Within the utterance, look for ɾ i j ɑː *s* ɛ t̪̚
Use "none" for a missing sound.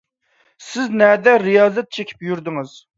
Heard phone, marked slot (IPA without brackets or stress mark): z